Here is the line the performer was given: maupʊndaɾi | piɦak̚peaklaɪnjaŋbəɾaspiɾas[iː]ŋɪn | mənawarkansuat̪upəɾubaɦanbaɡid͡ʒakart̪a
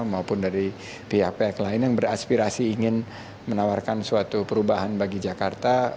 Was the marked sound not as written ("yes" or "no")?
no